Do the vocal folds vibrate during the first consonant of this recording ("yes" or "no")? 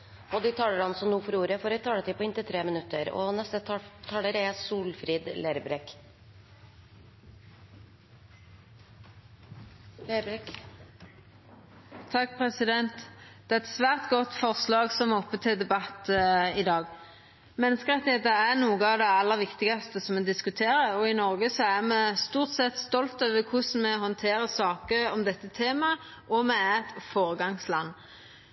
yes